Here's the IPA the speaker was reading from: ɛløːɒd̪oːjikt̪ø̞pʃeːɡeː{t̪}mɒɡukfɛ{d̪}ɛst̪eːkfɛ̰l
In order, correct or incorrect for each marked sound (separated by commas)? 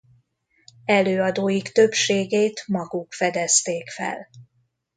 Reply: correct, correct